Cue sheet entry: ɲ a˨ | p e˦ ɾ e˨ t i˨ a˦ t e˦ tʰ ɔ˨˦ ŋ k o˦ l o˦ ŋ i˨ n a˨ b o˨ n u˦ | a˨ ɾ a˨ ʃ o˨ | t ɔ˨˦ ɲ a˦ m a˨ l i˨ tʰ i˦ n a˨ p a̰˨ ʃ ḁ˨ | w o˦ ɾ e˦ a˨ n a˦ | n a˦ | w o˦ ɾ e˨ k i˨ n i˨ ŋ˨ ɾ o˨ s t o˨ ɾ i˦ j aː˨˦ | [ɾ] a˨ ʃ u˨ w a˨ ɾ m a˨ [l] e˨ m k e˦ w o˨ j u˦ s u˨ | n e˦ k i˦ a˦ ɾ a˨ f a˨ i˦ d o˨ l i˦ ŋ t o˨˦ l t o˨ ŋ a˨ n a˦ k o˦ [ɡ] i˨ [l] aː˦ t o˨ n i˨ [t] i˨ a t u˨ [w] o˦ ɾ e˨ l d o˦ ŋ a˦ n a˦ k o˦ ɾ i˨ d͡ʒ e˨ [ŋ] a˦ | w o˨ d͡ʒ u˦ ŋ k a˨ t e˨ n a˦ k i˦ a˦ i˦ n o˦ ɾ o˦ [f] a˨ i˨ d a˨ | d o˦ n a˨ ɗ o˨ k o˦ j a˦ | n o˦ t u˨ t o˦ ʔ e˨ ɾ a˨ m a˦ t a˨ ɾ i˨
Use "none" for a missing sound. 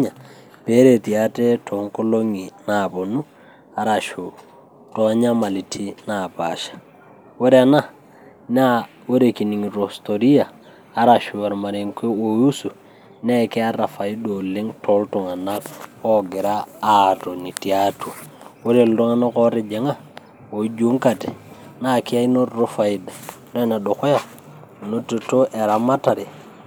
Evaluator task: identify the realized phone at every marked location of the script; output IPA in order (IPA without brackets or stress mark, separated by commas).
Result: ɾ, ɾ, ɡ, ɾ, t, w, ŋ, f